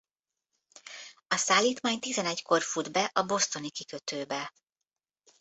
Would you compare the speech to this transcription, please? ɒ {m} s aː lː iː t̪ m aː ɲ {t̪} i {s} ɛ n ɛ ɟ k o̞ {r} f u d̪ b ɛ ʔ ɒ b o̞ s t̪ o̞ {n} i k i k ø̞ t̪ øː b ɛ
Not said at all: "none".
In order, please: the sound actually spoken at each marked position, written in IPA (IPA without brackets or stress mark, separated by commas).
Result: none, t̪, z, r, n